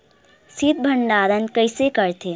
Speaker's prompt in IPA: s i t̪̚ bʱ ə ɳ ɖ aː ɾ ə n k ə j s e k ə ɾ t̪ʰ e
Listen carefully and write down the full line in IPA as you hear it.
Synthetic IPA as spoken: s i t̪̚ bʱ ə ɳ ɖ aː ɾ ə n k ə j s e k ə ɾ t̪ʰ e